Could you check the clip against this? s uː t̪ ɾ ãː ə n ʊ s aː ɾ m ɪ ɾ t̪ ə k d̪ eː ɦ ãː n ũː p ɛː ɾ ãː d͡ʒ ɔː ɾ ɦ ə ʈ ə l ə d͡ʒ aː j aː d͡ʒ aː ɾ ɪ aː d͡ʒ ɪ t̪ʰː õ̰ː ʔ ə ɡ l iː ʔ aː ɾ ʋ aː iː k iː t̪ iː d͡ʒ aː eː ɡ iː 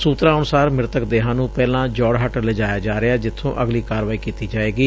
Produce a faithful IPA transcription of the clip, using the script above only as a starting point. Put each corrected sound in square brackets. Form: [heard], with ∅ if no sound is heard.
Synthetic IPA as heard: s uː t̪ ɾ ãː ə n ʊ s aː ɾ m ɪ ɾ t̪ ə k d̪ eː ɦ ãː n ũː p ɛː [l] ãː d͡ʒ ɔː [ɽ] ɦ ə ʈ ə l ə d͡ʒ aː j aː d͡ʒ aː ɾ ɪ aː d͡ʒ ɪ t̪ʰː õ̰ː ʔ ə ɡ l iː [k] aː ɾ ʋ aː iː k iː t̪ iː d͡ʒ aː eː ɡ iː